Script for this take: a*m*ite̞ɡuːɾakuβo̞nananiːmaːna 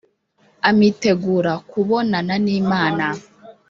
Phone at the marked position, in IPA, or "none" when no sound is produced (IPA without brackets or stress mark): m